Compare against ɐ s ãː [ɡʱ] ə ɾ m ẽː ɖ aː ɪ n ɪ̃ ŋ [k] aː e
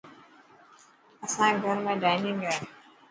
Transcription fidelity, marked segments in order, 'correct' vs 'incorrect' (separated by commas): correct, incorrect